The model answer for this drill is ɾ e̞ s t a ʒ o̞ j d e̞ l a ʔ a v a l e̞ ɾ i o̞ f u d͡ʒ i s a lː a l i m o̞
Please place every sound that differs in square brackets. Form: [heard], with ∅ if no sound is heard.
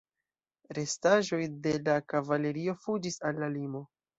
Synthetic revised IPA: ɾ e̞ s t a ʒ o̞ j d e̞ l a [k] a v a l e̞ ɾ i o̞ f u d͡ʒ i s a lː a l i m o̞